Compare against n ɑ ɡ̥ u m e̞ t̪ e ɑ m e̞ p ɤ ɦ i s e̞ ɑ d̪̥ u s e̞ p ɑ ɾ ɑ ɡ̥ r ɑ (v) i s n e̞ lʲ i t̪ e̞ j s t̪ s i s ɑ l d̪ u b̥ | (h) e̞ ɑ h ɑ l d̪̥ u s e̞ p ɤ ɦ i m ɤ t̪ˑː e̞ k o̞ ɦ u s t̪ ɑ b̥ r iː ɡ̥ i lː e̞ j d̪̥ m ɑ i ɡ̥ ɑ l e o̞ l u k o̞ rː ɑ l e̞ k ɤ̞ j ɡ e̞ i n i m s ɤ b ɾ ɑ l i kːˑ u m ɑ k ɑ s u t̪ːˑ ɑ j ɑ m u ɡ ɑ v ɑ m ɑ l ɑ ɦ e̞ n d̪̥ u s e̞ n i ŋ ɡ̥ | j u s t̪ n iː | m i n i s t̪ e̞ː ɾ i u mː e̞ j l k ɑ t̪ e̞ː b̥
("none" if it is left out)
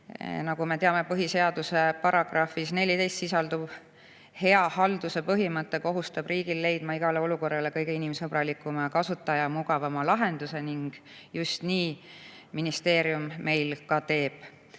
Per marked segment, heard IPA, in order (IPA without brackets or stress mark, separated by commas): f, h